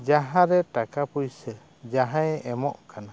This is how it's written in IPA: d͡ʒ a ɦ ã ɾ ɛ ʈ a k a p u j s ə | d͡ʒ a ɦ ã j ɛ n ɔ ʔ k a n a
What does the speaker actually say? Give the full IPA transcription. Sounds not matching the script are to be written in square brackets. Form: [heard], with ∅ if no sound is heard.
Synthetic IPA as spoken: d͡ʒ a ɦ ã ɾ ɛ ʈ a k a p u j s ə | d͡ʒ a ɦ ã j ɛ [m] ɔ ʔ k a n a